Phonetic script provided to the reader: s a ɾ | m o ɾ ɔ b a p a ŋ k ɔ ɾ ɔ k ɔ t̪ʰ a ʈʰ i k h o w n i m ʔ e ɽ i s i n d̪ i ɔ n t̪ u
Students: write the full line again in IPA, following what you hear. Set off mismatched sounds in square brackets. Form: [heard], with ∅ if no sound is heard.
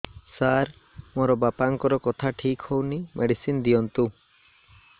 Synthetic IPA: s a ɾ | m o ɾ ɔ b a p a ŋ k ɔ ɾ ɔ k ɔ t̪ʰ a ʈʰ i k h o w n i m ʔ e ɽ i s i n d̪ i ɔ n t̪ u